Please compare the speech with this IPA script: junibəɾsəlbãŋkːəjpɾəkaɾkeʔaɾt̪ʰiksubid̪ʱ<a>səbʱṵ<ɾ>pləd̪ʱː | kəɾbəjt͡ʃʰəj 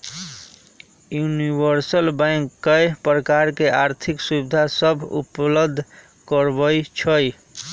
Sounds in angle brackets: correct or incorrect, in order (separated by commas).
correct, incorrect